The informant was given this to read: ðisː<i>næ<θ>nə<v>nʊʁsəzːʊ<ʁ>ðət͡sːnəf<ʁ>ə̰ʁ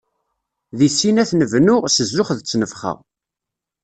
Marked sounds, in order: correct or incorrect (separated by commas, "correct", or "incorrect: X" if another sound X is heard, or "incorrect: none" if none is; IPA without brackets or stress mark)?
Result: correct, correct, correct, incorrect: χ, incorrect: χ